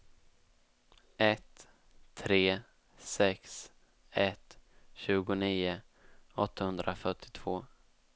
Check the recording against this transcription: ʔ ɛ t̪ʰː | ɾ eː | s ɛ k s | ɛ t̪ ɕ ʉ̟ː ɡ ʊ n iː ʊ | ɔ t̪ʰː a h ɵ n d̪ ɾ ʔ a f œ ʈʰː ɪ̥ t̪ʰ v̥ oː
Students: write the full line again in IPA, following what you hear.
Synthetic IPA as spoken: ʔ ɛ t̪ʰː | ɾ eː | s ɛ k s | ɛ t̪ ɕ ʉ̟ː ɡ ʊ n iː ʊ | ɔ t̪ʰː a h ɵ n d̪ ɾ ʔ a f œ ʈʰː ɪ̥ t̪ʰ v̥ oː